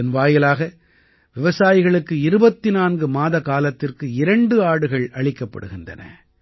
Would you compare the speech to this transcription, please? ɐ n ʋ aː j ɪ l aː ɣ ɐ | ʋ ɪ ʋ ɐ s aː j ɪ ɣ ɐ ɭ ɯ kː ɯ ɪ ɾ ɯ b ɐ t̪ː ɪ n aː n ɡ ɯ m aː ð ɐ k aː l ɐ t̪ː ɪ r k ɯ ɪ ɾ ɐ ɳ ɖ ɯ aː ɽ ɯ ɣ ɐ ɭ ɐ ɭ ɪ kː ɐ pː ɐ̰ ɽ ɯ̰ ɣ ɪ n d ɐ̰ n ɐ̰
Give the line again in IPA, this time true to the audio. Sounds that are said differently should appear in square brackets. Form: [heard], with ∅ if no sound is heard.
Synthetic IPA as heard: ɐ n ʋ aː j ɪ l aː ɣ ɐ | ʋ ɪ ʋ ɐ s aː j ɪ ɣ ɐ ɭ ɯ kː ɯ ɪ ɾ ɯ b ɐ t̪ː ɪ n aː n ɡ ɯ m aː ð ɐ k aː l ɐ t̪ː ɪ r k ɯ ɪ ɾ ɐ ɳ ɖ ɯ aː ɽ ɯ ɣ ɐ ɭ ɐ ɭ ɪ kː ɐ pː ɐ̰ ɽ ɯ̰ ɣ ɪ n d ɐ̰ n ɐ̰